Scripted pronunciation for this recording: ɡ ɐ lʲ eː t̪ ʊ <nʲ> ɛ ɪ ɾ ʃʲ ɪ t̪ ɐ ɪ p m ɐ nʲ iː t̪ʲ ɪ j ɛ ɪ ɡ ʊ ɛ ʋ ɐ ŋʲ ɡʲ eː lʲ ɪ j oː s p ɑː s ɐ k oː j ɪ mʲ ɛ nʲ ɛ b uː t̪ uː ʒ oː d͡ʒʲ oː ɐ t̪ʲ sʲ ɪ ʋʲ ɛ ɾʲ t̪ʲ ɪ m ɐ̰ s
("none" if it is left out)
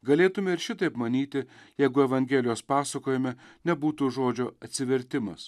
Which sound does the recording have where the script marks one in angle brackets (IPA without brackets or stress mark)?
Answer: mʲ